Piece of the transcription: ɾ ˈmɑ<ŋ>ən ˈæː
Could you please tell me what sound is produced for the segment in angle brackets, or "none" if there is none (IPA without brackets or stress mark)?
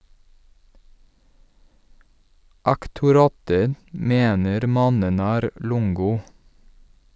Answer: n